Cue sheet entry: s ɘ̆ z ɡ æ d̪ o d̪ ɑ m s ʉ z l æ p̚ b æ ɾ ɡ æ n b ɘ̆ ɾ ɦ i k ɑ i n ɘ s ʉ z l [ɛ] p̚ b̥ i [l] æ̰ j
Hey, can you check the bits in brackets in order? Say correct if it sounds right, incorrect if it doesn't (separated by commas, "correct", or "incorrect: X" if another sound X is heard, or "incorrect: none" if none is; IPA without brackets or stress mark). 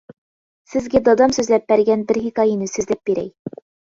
incorrect: æ, incorrect: ɾ